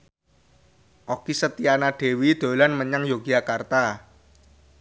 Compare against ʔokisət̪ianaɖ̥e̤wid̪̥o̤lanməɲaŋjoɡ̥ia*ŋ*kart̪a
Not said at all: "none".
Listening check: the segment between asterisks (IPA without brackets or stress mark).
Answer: none